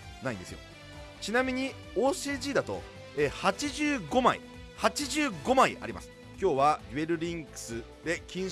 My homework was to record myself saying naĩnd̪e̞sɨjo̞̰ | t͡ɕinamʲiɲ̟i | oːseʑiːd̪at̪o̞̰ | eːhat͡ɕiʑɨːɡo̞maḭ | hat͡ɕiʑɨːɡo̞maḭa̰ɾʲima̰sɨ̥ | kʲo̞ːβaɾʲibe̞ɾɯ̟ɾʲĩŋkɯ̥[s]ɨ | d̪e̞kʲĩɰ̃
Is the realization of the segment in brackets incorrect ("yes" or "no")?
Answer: no